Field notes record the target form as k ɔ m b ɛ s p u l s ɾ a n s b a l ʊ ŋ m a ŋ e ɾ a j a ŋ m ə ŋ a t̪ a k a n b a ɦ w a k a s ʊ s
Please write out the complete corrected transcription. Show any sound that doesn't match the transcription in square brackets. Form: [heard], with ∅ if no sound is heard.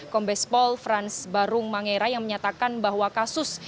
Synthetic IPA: k ɔ m b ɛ s p [ɔ] l [f] ɾ a n s b a [ɾ] ʊ ŋ m a ŋ e ɾ a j a ŋ m ə [ɲ] a t̪ a k a n b a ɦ w a k a s ʊ s